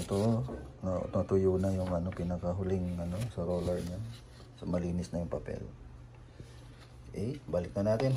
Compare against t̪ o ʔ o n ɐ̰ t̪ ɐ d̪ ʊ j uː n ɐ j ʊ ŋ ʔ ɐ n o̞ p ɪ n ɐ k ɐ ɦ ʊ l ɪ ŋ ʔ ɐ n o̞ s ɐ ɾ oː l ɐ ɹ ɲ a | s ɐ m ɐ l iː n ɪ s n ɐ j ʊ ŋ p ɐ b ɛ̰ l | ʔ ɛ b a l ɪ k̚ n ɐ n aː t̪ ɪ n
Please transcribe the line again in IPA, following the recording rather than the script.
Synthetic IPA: t̪ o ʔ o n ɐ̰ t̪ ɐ t̪ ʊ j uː n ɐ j ʊ ŋ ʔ ɐ n o̞ p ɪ n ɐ k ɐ ɦ ʊ l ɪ ŋ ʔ ɐ n o̞ s ɐ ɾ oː l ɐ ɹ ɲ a | s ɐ m ɐ l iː n ɪ s n ɐ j ʊ ŋ p ɐ p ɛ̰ l | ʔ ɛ b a l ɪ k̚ n ɐ n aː t̪ ɪ n